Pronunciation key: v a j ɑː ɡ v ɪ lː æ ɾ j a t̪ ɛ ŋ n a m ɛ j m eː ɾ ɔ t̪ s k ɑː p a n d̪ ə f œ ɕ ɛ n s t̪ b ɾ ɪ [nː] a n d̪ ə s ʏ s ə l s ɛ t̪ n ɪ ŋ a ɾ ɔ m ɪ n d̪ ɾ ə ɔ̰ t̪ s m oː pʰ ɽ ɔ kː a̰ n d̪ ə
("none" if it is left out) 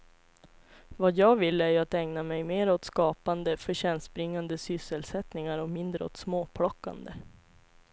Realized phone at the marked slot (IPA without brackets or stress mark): ŋː